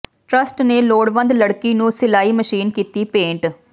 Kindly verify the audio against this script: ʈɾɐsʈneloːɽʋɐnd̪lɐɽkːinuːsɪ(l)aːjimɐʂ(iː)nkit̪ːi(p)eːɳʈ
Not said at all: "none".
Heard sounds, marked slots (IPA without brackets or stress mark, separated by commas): l, iː, p